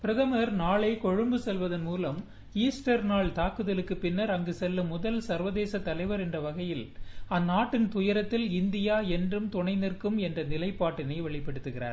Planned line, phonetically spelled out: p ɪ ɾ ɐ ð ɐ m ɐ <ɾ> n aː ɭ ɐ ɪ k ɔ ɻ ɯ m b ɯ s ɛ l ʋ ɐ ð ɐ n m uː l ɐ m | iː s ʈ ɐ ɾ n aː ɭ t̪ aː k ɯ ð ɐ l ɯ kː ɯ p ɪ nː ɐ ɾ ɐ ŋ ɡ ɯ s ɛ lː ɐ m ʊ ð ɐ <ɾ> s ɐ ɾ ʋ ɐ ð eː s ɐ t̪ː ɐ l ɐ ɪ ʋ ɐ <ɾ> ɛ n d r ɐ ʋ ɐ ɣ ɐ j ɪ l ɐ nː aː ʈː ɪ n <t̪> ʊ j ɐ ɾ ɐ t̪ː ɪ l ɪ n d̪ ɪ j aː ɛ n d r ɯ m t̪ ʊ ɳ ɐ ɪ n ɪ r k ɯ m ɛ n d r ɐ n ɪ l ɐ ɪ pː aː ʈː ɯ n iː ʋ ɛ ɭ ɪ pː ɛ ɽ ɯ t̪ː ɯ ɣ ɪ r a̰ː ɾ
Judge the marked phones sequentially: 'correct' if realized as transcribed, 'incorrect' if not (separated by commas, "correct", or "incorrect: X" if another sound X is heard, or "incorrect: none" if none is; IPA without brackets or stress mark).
correct, incorrect: l, correct, correct